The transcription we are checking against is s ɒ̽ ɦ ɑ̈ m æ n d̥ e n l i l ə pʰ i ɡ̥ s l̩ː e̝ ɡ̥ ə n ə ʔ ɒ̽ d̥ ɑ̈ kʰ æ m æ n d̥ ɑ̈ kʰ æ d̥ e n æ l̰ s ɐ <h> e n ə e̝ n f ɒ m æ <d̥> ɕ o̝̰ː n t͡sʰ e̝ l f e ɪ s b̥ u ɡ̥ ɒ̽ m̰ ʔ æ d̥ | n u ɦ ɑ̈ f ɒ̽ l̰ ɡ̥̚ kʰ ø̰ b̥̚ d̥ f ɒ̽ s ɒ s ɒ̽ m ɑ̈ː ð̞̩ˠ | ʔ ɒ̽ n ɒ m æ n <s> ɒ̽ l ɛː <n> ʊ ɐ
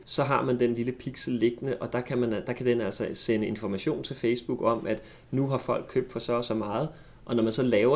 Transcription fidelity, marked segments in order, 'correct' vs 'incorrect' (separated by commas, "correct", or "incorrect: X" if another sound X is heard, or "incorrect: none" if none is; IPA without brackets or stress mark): incorrect: s, incorrect: none, correct, incorrect: none